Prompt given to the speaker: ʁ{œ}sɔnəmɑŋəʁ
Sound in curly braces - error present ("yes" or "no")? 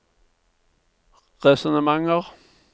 yes